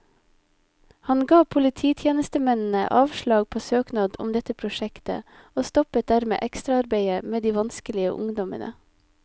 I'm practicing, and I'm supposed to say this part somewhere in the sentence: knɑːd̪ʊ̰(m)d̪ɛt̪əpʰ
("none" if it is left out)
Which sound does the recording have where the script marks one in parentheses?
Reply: m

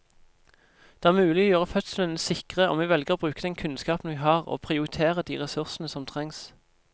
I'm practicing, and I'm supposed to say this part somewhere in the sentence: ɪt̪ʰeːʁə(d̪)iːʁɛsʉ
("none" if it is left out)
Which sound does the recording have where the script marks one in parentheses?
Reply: d̪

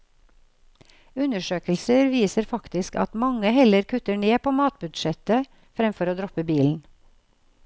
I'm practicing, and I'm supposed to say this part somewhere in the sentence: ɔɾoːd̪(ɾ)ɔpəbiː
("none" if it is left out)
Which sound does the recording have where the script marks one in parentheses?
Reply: ɾ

